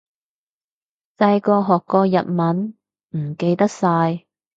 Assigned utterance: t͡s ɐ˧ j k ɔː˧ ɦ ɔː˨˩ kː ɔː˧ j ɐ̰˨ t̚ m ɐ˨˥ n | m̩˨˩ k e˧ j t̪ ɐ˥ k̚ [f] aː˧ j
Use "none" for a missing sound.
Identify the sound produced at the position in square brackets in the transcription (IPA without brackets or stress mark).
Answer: s